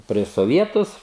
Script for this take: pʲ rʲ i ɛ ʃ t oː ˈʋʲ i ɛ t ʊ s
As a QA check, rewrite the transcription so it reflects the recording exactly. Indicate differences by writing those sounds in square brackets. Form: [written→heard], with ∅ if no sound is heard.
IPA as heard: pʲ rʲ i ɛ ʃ [t→s] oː ˈʋʲ i ɛ t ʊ s